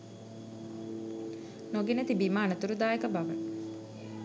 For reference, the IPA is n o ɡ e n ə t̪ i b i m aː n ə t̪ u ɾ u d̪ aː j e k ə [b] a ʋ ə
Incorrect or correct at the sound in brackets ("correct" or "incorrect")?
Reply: correct